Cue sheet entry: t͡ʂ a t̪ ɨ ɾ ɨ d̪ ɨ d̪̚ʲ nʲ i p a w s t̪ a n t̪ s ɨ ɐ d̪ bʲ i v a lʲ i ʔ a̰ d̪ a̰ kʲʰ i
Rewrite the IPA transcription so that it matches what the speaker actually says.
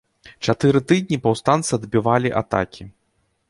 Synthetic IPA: t͡ʂ a t̪ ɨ ɾ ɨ t̪ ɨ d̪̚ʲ nʲ i p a w s t̪ a n t̪ s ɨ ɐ d̪ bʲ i v a lʲ i ʔ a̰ t̪ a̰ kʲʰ i